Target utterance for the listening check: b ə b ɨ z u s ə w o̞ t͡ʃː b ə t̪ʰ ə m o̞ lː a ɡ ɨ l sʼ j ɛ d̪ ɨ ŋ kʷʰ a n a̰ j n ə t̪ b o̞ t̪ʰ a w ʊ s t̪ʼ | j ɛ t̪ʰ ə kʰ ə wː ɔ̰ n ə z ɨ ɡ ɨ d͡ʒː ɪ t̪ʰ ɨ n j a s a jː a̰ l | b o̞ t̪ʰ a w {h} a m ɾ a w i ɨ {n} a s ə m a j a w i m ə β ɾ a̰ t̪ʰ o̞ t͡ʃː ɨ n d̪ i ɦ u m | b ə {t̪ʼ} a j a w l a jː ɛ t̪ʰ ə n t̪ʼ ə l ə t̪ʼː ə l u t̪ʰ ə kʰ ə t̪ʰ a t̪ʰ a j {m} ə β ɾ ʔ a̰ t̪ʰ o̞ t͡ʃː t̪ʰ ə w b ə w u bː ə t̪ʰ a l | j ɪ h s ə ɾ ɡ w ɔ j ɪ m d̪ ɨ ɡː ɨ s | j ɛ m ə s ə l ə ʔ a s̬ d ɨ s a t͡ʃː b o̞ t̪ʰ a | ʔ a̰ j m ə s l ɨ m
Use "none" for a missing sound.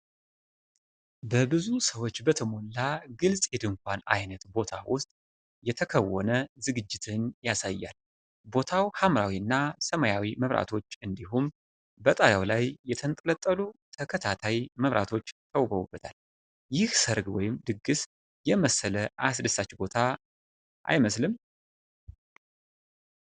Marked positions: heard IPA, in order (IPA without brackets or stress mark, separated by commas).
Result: h, nː, t̪ʼ, m